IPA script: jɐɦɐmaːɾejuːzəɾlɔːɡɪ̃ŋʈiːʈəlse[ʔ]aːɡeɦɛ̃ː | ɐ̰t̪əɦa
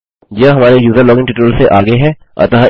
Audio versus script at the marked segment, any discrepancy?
no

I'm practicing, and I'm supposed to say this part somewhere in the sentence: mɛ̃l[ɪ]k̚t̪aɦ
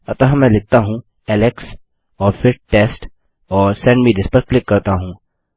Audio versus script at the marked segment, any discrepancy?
no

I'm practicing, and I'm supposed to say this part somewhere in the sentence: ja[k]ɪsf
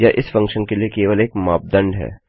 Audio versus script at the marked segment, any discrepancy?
yes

